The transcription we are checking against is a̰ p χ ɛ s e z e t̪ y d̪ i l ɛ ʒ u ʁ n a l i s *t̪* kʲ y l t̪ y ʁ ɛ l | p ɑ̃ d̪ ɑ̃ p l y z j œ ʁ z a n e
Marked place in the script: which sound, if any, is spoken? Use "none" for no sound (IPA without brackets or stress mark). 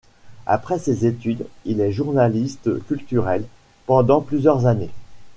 t̪